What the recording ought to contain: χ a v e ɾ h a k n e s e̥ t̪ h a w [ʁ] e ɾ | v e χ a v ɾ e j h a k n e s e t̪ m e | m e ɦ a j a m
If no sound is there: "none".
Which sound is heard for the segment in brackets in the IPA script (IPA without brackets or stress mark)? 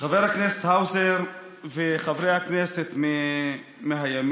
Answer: z